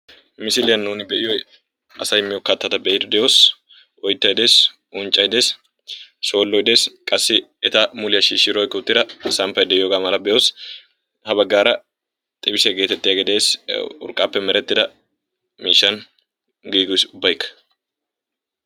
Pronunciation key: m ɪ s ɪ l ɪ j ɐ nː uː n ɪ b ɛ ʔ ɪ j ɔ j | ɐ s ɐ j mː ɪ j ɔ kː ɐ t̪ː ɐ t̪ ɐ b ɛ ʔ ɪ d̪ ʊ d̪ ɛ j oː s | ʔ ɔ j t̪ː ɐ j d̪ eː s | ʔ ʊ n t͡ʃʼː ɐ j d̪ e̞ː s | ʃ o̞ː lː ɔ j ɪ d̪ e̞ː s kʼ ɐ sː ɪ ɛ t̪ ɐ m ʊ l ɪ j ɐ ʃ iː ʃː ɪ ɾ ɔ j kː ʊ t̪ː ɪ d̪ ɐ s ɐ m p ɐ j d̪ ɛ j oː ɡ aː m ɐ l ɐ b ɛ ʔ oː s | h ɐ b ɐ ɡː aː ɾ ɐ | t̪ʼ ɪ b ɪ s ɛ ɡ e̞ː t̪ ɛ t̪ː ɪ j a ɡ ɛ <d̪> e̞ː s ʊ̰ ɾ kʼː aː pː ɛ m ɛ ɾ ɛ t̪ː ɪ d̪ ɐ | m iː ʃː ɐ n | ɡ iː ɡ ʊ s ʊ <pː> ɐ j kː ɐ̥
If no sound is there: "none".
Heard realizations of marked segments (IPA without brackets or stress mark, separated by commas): d̪, bː